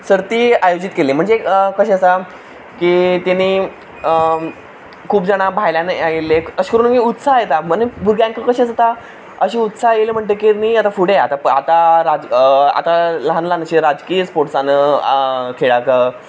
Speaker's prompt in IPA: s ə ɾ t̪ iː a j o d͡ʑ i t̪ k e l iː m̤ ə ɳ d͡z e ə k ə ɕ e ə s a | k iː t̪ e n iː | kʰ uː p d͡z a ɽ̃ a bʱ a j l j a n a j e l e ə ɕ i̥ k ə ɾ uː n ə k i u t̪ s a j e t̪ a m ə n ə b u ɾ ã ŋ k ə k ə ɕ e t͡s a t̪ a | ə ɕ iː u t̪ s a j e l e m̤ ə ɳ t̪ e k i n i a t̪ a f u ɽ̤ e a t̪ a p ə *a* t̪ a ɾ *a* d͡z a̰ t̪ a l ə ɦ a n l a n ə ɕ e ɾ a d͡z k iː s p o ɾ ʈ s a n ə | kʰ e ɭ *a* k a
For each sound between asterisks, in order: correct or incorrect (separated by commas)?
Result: correct, correct, correct